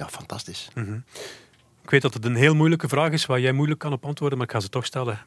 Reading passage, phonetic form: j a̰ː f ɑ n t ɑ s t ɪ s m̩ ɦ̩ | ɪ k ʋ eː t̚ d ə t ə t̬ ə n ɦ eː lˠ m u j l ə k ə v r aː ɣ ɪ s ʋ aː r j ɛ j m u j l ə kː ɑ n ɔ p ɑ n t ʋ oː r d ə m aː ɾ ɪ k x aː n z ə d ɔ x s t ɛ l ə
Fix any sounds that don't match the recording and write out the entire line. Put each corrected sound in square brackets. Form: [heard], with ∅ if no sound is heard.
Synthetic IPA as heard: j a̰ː f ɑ n t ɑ s t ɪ s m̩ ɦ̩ | ɪ k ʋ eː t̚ d [ɑ] t ə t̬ ə n ɦ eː lˠ m u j l ə k ə v r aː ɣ ɪ s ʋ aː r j ɛ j m u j l ə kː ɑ n ɔ p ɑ n t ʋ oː r d ə m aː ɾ ɪ k x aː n z ə [t] ɔ x s t ɛ l ə